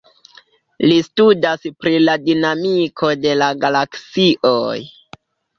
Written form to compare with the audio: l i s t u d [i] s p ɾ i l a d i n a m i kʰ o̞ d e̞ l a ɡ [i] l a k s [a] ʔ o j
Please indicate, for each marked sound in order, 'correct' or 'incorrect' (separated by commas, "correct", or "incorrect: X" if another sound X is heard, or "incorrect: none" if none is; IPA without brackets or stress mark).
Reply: incorrect: a, incorrect: a, incorrect: i